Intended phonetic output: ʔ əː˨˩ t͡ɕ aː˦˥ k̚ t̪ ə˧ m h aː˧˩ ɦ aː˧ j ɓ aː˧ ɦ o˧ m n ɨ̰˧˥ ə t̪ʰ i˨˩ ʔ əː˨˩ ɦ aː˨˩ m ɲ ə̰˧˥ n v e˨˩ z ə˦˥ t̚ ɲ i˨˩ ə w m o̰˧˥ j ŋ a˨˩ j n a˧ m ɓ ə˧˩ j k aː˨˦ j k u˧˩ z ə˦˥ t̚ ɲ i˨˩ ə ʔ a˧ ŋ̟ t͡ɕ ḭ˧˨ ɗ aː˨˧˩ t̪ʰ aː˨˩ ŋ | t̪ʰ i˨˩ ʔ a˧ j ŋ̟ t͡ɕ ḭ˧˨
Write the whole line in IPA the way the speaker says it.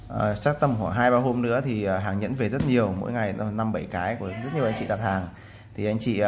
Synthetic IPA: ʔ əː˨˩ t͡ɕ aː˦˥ k̚ t̪ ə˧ m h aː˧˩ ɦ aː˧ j ɓ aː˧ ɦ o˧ m n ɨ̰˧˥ ə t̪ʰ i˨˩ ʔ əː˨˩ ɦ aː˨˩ ŋ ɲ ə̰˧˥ n v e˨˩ z ə˦˥ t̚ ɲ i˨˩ ə w m o̰˧˥ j ŋ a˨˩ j n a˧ m ɓ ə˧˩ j k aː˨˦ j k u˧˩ z ə˦˥ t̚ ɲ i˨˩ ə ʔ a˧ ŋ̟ t͡ɕ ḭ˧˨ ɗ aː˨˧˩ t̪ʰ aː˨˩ ŋ | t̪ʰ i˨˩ ʔ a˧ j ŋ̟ t͡ɕ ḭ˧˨